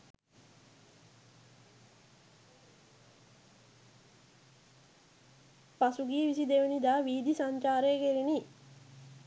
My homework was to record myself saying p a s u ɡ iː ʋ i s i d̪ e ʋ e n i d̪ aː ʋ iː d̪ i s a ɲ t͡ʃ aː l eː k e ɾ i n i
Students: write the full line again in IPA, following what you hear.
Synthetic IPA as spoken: p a s u ɡ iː ʋ i s i d̪ e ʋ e n i d̪ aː ʋ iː d̪ i s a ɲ t͡ʃ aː ɾ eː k e ɾ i n i